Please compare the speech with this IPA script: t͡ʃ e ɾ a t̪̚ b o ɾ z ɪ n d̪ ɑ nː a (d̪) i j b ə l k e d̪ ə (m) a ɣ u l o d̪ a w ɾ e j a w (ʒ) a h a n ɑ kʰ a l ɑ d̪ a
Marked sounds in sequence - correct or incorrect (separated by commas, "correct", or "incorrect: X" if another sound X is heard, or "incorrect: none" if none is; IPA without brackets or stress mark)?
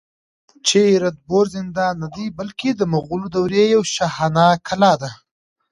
correct, correct, incorrect: ʃ